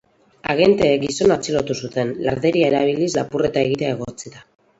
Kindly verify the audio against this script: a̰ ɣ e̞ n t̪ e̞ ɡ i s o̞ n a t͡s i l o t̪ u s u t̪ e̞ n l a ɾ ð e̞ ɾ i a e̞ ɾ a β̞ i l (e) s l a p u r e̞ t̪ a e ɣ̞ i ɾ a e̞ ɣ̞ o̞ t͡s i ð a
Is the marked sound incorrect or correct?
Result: incorrect